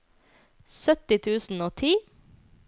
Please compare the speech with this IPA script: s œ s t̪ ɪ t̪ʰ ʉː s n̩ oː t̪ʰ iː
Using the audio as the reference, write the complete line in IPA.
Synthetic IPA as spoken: s œ t̪ ɪ t̪ʰ ʉː s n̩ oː t̪ʰ iː